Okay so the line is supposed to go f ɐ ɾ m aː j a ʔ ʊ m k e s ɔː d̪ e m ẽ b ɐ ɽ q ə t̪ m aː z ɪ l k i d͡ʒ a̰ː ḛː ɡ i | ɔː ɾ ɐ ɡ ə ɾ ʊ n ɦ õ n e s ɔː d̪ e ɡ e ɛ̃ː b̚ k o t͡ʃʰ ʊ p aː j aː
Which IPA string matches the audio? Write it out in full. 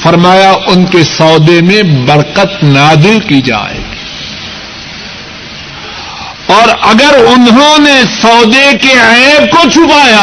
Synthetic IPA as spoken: f ɐ ɾ m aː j a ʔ ʊ n k e s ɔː d̪ e m ẽ b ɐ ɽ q ə t̪ n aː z ɪ l k i d͡ʒ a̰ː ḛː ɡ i | ɔː ɾ ɐ ɡ ə ɾ ʊ n ɦ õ n e s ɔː d̪ e k e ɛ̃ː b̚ k o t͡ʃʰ ʊ p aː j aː